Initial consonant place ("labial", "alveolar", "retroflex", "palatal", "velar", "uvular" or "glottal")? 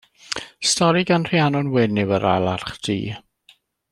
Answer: alveolar